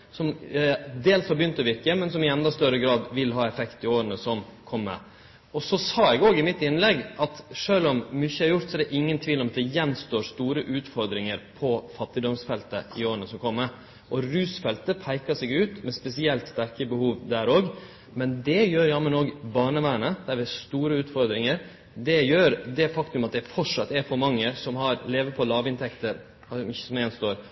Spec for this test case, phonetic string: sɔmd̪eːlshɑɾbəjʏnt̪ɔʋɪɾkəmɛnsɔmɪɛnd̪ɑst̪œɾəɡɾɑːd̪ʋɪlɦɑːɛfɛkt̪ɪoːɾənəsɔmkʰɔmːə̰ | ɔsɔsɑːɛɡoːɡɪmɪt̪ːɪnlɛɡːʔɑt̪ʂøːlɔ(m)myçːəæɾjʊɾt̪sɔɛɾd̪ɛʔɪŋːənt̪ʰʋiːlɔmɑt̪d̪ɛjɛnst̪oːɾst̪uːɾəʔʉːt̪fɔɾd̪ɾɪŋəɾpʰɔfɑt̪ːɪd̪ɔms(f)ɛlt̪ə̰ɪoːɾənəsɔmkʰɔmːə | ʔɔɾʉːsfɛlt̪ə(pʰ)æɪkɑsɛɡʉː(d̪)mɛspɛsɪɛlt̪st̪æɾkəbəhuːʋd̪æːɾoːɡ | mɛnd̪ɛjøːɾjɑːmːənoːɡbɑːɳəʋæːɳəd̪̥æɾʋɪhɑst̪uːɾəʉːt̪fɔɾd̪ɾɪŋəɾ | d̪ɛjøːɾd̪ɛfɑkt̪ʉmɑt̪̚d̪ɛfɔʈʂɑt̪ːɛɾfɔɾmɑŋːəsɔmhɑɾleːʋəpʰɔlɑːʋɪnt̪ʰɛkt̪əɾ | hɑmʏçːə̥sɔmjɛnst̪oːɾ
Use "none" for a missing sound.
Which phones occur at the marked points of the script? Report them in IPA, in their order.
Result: m, f, pʰ, t̪

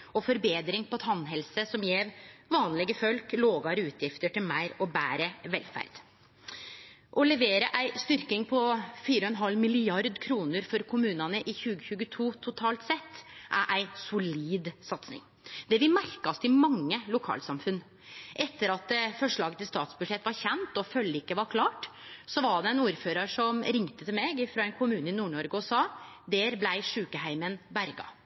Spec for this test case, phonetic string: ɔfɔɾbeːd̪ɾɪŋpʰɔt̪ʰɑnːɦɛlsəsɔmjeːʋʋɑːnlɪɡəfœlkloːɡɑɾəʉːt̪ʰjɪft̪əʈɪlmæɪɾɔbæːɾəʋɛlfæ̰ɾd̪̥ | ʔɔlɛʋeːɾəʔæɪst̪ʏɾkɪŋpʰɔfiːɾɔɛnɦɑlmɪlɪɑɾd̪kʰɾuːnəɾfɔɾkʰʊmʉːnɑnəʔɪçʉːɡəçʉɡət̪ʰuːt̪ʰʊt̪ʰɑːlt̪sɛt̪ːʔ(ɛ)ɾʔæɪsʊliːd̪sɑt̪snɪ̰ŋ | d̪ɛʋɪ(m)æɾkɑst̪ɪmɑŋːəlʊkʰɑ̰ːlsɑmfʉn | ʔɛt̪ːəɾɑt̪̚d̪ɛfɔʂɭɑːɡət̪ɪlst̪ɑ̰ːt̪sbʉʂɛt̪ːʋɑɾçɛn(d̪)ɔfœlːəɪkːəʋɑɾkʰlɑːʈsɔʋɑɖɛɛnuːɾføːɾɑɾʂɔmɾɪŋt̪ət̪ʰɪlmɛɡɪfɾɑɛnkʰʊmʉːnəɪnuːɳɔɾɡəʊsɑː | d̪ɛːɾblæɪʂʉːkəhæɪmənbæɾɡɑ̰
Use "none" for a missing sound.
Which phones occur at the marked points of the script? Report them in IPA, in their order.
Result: æ, m, t̪

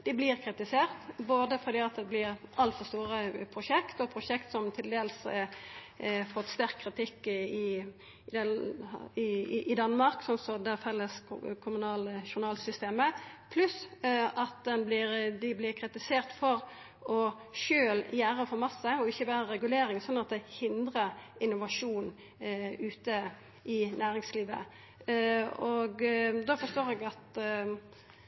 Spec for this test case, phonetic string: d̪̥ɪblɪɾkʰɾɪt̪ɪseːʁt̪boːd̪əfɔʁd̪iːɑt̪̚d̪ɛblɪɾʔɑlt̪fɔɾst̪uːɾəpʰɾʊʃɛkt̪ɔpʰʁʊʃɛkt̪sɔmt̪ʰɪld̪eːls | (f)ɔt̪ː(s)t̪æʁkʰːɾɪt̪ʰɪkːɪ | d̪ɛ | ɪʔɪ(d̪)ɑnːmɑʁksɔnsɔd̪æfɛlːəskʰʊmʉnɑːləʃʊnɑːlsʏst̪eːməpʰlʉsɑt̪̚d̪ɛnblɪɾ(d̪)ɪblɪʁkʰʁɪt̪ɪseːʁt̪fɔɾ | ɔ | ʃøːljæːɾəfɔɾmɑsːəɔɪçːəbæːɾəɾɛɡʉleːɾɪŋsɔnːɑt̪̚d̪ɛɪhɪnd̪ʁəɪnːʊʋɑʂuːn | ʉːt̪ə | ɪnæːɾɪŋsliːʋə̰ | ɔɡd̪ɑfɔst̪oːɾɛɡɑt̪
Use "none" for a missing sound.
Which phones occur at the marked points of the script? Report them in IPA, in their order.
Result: f, s, d̪, d̪

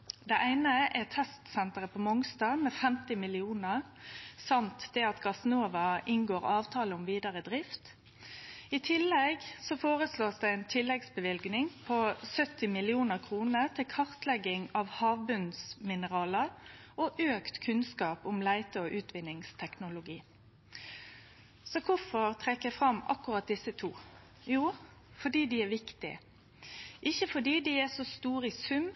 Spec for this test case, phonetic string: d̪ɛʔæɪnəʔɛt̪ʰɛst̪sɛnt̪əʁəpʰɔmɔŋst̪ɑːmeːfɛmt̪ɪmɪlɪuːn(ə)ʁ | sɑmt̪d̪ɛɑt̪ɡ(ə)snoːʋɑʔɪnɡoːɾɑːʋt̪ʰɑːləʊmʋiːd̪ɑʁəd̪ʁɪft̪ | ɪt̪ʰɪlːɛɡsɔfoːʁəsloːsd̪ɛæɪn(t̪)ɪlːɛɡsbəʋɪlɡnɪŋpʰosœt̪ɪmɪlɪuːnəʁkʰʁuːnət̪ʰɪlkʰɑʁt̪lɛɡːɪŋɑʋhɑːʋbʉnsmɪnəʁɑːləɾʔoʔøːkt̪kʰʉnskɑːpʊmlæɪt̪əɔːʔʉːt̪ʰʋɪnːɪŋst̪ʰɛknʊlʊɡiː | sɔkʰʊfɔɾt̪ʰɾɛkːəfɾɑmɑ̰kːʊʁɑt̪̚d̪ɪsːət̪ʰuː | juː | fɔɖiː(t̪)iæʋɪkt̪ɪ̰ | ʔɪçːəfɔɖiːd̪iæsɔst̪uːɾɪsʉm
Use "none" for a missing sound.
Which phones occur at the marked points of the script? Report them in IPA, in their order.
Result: ə, ɑ, t̪ʰ, d̪

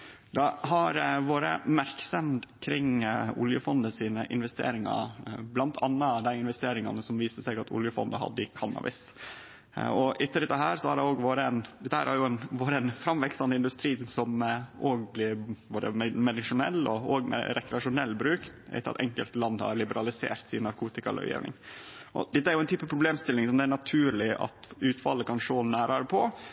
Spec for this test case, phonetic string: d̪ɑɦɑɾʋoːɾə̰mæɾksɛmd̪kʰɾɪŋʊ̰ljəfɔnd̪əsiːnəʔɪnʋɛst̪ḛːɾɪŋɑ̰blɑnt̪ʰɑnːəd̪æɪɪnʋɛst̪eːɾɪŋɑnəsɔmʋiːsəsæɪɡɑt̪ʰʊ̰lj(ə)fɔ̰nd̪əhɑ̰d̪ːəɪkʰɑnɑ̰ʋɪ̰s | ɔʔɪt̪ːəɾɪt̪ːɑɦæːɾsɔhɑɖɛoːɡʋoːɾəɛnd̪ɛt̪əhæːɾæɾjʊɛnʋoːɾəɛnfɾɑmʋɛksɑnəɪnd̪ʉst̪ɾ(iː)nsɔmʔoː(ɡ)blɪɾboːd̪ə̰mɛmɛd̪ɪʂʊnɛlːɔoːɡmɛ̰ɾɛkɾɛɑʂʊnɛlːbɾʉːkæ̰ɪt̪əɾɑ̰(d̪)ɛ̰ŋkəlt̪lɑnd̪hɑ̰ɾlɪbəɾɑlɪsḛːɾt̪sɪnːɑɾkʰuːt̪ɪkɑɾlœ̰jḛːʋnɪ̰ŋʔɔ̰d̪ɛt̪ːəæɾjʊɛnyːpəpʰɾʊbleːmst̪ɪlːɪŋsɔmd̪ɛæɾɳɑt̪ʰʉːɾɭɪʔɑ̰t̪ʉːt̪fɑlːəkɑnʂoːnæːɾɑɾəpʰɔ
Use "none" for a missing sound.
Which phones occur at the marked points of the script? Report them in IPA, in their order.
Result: ə, iː, ɡ, t̪

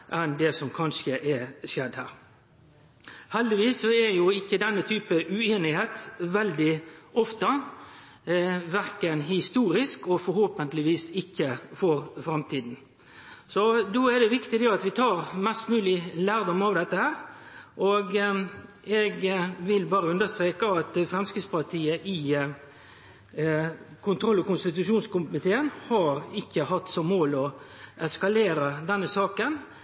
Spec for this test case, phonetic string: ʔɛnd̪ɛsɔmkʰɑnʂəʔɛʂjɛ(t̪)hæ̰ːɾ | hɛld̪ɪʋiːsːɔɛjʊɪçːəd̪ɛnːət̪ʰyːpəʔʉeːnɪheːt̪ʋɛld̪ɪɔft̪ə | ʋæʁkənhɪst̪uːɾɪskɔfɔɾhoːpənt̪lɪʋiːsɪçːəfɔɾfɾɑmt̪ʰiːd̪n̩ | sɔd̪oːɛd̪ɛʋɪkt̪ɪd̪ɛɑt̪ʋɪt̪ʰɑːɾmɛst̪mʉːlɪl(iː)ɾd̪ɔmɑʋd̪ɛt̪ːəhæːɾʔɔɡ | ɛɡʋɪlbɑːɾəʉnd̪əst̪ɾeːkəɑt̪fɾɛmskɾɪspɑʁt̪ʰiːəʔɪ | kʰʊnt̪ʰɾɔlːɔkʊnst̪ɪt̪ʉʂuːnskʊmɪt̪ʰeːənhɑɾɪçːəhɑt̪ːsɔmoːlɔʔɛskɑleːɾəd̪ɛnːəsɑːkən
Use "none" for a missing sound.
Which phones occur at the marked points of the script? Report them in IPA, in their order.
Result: d̪, æː

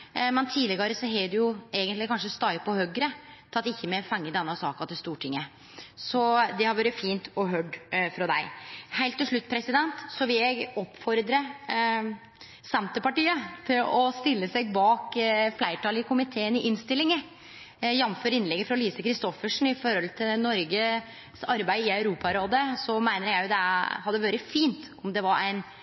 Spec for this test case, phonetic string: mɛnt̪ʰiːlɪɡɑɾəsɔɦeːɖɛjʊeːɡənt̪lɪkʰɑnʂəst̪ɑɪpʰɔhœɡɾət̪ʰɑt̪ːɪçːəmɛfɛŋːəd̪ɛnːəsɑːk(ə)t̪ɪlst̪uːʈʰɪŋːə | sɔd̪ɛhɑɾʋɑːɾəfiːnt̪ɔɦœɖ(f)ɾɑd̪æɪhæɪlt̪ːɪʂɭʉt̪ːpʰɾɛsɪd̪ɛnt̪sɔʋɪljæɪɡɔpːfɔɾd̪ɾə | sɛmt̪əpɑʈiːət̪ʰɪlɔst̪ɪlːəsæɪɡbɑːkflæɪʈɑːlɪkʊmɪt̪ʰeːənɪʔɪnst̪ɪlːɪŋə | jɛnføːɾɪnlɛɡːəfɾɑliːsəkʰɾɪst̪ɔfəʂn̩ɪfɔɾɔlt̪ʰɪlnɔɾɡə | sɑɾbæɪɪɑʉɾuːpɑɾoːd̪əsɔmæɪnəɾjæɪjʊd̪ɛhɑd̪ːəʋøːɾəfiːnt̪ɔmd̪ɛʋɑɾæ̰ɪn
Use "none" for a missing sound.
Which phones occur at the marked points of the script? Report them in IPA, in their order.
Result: ɑ, f

